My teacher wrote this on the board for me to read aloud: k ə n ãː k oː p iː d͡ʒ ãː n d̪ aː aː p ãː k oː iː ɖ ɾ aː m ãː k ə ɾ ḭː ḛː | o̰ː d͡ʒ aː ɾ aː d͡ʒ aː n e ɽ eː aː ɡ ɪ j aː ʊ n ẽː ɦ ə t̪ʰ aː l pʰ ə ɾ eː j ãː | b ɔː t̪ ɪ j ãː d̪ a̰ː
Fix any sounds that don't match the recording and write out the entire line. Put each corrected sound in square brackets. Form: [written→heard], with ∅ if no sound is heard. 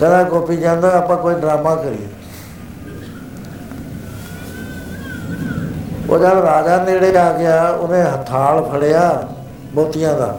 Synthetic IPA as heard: k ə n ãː k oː p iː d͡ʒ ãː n d̪ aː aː p ãː k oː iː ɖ ɾ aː m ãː k ə ɾ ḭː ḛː | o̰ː d͡ʒ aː ɾ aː d͡ʒ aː n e ɽ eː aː ɡ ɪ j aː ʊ n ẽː ɦ ə t̪ʰ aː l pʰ ə [ɾ→ɽ] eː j [ãː→aː] | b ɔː t̪ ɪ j ãː d̪ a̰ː